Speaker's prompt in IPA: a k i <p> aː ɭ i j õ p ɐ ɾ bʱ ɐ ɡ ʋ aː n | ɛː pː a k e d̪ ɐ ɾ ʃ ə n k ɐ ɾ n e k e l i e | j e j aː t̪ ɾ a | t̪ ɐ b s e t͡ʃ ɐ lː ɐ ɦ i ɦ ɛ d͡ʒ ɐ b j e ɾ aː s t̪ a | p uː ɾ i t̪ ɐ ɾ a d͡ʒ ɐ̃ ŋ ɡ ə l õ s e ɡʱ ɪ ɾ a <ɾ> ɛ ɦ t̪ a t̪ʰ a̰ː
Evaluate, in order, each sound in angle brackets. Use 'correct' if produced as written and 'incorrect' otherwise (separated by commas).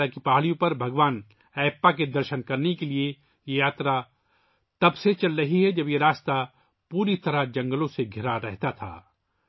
correct, correct